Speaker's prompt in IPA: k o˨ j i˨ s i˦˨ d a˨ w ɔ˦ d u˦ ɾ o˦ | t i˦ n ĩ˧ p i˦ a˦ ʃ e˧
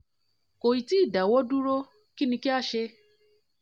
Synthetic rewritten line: k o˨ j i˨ t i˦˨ d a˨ w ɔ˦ d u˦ ɾ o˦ | k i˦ n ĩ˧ k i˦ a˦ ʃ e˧